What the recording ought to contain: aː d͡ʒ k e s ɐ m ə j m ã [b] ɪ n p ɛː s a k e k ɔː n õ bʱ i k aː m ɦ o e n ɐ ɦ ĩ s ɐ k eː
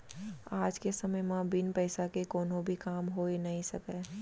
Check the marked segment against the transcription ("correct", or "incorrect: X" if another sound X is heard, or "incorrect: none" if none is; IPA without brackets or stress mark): correct